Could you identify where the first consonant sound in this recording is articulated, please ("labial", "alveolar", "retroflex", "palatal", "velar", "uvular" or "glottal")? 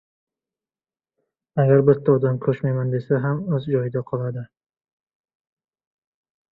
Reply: velar